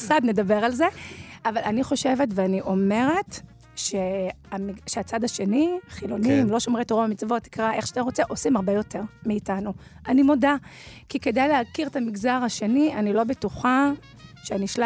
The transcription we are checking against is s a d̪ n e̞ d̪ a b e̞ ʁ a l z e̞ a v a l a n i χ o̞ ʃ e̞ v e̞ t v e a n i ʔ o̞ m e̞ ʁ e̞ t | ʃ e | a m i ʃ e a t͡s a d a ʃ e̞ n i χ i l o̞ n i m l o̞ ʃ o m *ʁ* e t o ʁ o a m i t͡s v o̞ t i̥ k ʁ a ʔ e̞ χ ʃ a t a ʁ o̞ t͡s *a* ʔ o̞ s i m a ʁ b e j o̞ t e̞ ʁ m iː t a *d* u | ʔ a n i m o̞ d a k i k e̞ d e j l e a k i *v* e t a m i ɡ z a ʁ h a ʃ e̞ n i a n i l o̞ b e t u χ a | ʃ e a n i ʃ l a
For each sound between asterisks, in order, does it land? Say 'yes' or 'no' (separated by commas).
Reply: yes, no, no, no